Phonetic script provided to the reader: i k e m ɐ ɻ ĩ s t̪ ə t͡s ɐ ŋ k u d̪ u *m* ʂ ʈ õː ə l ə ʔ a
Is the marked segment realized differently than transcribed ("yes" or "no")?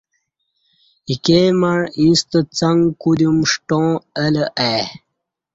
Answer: no